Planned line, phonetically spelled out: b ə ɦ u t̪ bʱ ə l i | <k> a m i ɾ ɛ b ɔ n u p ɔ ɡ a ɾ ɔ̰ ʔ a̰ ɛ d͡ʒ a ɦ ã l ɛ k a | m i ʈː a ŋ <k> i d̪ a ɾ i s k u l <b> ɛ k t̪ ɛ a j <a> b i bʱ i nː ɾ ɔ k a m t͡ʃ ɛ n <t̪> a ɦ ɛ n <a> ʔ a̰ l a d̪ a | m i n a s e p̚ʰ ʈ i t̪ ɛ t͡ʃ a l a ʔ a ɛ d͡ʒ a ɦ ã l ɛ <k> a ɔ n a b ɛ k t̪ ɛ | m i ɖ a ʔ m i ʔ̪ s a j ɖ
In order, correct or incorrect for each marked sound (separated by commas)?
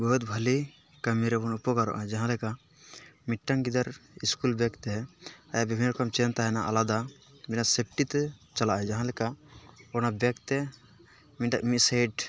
correct, incorrect, correct, correct, correct, correct, correct